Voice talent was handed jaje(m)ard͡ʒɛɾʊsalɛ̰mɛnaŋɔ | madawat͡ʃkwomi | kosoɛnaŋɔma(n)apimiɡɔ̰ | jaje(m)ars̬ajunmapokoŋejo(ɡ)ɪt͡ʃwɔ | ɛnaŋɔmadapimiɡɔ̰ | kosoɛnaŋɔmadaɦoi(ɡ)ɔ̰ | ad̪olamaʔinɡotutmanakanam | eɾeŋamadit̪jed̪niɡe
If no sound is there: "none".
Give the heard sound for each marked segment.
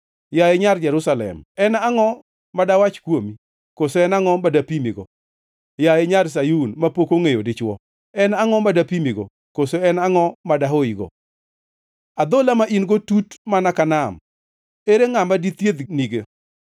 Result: ɲ, d, ɲ, d, ɡ

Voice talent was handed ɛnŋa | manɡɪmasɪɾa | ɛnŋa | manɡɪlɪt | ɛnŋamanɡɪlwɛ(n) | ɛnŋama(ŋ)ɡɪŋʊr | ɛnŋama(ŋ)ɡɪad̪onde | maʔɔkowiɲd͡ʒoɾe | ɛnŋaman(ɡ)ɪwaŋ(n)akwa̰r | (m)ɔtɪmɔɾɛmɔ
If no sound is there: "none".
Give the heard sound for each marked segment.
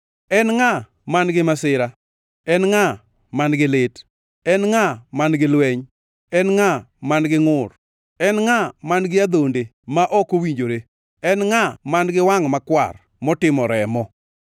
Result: ɲ, n, n, ɡ, m, m

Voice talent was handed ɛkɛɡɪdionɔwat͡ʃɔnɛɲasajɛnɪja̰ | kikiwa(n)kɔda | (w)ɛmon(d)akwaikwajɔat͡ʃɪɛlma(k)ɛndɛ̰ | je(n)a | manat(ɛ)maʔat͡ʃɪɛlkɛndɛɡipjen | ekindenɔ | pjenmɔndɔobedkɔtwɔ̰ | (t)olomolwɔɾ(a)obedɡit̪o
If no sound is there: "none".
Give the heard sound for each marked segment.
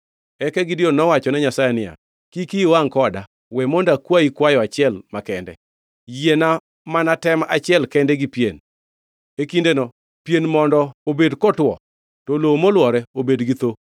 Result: ŋ, w, d, k, n, ɛ, t, ɛ

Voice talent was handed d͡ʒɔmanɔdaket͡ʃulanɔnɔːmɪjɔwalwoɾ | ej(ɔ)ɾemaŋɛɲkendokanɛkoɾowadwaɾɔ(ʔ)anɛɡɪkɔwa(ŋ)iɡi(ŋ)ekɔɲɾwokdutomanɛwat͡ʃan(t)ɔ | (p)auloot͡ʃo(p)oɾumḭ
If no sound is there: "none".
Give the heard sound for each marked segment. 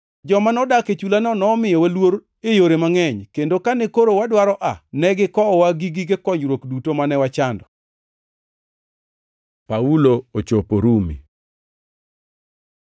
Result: o, ʔ, ɡ, ɡ, d, p, p

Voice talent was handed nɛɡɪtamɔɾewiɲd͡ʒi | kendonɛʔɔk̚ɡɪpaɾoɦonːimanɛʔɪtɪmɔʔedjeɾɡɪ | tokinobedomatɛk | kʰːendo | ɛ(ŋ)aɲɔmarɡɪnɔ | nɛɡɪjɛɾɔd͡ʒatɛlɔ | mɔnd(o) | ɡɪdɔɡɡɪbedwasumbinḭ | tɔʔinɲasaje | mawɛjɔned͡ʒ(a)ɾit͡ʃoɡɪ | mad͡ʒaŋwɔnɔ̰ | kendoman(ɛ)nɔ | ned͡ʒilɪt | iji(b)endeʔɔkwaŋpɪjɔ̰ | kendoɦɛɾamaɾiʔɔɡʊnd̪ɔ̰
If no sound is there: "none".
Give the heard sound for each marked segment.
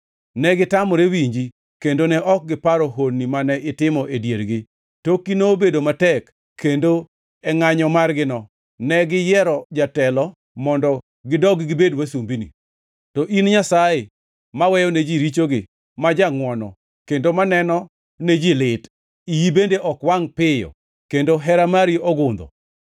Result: ŋ, ɔ, i, ɛ, b

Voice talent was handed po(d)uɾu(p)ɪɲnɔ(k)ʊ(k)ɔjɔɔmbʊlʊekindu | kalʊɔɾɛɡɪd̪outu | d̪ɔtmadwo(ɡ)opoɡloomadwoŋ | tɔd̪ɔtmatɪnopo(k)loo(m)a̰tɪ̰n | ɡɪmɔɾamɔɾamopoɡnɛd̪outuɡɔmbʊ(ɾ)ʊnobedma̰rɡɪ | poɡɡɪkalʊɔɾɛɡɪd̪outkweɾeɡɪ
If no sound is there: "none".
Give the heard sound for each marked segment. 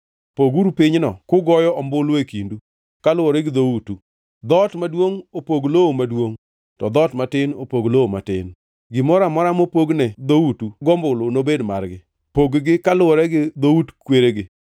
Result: ɡ, p, k, ɡ, ŋ, ɡ, m, l

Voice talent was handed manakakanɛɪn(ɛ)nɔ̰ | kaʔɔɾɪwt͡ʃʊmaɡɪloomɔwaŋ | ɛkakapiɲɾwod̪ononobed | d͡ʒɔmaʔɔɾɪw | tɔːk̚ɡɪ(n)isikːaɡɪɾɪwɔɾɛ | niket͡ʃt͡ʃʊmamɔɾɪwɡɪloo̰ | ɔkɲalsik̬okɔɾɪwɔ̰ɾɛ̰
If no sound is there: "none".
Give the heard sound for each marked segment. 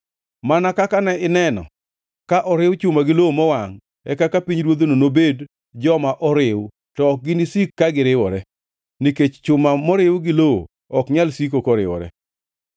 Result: ɛ, n

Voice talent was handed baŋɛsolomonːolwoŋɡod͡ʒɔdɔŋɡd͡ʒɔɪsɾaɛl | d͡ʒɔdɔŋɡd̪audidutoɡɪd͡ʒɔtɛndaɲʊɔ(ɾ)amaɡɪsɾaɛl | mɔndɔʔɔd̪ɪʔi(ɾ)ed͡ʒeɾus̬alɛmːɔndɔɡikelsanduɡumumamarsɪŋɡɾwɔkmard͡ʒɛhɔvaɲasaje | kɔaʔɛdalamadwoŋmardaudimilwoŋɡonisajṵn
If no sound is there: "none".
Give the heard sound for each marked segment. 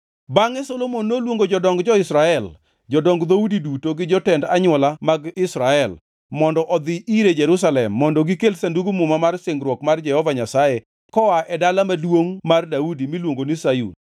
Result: l, ɾ

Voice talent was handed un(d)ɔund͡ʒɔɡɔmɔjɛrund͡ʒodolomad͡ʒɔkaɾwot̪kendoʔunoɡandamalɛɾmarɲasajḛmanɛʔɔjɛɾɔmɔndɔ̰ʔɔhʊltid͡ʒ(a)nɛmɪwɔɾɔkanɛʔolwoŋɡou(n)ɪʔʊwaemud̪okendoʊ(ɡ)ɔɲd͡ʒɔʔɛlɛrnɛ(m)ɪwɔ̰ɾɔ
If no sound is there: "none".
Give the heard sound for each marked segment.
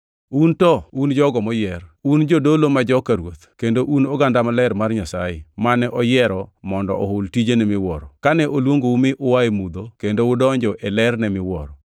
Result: t, e, m, d, m

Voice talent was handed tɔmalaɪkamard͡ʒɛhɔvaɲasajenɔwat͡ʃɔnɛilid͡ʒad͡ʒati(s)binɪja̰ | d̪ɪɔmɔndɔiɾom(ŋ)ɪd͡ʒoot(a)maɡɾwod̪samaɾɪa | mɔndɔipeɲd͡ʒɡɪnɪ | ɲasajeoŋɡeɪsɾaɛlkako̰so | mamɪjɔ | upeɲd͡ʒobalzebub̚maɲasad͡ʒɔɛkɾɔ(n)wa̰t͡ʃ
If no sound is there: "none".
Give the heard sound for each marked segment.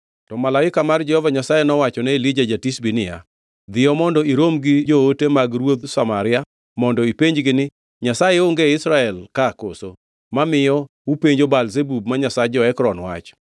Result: s, ɡ, e, n

